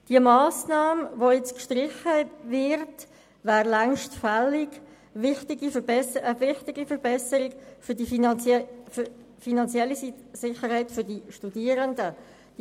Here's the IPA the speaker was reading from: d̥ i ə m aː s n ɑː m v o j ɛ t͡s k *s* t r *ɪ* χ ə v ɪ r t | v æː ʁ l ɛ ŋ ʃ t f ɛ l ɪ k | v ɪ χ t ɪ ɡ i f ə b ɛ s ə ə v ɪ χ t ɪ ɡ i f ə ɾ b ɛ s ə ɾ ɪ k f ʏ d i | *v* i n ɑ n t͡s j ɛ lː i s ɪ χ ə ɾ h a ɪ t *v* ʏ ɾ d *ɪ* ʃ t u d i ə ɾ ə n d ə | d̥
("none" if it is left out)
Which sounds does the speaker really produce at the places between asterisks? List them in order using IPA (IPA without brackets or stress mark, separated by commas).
ʃ, ɪ, f, f, i